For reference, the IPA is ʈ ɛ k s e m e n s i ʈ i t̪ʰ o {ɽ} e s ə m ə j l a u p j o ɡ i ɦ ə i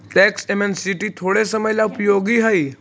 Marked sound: correct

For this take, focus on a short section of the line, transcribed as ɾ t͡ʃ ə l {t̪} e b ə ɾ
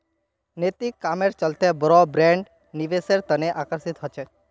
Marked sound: correct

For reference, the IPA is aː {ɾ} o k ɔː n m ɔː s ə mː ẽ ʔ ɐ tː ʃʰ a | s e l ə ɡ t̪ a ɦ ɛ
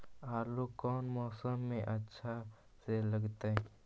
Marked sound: incorrect: l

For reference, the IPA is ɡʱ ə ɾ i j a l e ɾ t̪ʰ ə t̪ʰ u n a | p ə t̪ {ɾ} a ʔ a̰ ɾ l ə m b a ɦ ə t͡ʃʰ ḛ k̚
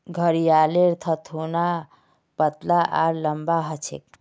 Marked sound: incorrect: l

